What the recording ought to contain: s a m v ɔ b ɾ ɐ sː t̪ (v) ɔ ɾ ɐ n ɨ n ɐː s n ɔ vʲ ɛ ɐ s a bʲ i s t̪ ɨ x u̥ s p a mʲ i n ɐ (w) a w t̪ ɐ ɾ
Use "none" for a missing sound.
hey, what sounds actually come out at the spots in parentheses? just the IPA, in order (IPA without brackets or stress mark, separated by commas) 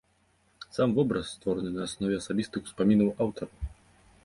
v, w